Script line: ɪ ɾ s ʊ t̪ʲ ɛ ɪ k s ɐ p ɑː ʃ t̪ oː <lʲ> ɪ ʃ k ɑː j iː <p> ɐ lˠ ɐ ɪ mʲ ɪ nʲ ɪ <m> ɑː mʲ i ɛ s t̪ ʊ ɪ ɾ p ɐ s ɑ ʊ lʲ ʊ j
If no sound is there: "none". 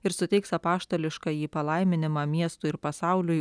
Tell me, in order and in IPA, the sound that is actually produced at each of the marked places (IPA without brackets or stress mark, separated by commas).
lʲ, p, m